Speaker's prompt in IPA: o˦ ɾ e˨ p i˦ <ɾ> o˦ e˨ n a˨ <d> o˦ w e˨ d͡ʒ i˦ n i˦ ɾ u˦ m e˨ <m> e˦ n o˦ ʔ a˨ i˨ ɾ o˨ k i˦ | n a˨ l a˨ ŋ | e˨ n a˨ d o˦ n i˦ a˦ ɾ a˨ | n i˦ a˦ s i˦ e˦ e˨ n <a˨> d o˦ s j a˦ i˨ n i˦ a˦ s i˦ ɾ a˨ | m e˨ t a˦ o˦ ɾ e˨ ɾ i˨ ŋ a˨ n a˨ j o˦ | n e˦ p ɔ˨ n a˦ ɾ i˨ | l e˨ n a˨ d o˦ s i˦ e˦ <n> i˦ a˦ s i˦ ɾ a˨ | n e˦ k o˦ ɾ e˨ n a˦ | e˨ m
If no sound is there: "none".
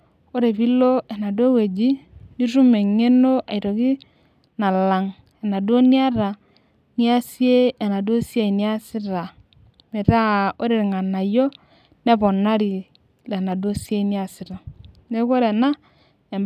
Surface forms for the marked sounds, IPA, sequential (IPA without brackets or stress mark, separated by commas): l, d, ŋ, a˨, n